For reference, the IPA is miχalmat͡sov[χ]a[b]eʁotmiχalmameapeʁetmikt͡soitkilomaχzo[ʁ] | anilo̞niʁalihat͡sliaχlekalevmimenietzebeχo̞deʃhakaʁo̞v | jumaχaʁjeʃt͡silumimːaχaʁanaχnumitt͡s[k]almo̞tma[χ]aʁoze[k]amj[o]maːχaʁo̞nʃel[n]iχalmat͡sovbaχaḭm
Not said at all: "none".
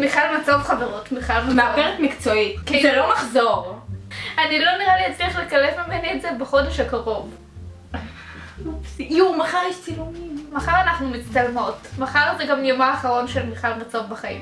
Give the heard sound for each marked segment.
χ, v, ʁ, t, χ, ɡ, o, m

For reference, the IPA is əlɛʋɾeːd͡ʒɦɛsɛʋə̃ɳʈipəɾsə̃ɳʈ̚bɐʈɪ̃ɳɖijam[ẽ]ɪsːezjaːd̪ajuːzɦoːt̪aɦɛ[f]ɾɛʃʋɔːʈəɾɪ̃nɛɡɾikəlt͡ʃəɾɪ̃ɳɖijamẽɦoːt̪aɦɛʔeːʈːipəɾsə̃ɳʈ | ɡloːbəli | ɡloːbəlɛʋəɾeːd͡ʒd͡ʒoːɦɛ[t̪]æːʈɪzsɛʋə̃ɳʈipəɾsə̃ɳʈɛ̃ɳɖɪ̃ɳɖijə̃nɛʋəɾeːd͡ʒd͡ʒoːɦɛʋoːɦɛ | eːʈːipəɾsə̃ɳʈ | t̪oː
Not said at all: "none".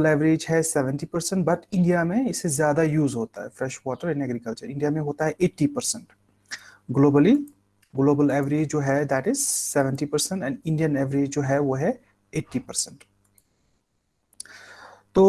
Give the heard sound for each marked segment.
ẽ, f, d̪

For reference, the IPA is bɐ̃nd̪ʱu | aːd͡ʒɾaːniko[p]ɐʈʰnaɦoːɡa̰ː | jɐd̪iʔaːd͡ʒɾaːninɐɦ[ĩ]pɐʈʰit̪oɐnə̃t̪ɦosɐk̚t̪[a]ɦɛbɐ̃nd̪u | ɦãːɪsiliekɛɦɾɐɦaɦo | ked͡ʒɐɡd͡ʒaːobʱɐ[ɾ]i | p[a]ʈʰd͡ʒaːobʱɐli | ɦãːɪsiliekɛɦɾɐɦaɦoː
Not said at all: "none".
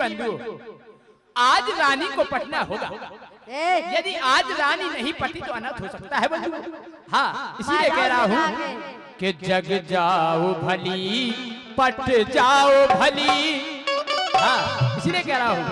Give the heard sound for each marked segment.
p, ĩ, a, l, ɐ

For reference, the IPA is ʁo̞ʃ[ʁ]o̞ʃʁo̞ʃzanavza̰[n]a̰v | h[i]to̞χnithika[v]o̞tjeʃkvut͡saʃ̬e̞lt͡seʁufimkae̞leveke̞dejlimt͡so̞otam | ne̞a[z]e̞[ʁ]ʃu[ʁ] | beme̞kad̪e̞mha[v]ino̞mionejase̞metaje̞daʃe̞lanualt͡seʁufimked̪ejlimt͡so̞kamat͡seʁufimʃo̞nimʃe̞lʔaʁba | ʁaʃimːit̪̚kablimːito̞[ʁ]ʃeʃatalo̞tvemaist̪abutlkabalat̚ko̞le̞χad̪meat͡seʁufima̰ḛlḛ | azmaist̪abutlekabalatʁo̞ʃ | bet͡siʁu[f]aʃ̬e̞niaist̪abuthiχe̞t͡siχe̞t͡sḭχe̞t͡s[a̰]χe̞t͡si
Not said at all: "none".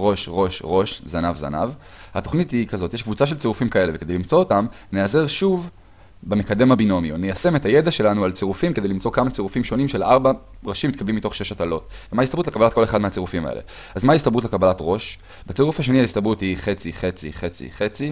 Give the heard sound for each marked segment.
ʁ, n, a, z, z, ʁ, v, b, χ, f, ḭ

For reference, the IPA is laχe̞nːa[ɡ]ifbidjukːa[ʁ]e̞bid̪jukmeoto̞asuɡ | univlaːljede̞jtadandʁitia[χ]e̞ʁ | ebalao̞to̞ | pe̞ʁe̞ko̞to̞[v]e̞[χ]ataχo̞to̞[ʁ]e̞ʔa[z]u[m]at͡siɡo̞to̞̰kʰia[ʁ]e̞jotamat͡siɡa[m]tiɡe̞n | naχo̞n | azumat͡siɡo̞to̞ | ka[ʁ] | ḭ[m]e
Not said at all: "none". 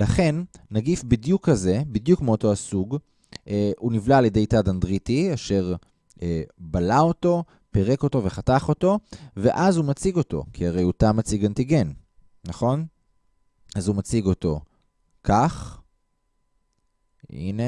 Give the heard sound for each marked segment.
ɡ, z, ʃ, v, χ, v, z, m, ʁ, n, χ, n

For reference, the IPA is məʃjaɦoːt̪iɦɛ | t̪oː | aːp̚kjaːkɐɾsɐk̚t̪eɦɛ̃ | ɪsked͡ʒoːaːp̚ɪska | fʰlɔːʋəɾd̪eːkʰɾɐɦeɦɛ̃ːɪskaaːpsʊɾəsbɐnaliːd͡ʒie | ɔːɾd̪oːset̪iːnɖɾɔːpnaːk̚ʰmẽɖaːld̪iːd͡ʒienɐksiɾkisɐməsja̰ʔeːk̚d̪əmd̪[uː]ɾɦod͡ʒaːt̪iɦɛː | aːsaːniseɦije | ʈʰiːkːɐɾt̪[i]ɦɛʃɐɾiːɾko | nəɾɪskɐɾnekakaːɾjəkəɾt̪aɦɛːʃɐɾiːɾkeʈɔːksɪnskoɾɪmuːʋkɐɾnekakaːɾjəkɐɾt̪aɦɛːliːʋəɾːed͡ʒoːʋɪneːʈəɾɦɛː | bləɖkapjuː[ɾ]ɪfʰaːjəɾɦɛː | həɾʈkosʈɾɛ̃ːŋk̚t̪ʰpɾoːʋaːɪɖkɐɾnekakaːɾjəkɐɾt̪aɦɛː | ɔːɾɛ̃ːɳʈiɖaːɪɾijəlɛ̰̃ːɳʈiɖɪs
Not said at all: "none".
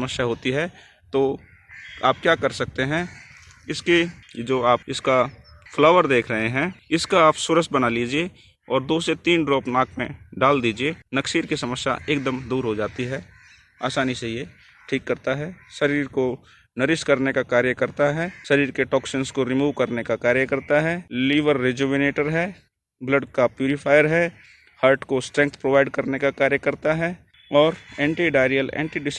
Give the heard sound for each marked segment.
uː, a, ɾ

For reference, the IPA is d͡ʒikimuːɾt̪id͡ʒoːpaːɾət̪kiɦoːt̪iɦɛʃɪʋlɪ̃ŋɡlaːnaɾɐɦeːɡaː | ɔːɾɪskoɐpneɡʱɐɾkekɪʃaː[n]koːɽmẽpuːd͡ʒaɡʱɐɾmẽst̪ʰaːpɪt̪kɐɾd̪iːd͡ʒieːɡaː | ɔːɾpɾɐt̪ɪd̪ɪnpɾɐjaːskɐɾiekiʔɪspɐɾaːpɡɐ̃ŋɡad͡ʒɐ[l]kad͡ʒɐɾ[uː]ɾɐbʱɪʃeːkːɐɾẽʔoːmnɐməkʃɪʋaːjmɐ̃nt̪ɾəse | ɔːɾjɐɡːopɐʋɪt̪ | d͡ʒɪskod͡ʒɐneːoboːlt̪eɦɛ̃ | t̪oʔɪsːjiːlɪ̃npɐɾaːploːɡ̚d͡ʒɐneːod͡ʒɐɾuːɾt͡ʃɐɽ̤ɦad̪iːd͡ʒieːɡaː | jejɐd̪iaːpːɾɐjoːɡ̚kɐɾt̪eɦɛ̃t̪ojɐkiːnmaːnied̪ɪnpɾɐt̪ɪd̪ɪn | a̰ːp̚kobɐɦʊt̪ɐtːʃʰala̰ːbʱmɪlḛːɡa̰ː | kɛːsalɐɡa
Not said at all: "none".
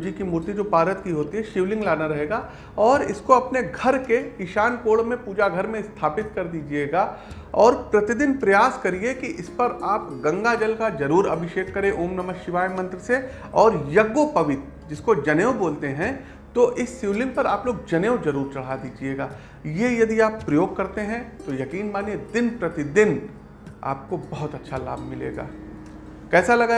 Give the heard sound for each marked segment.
n, l, uː

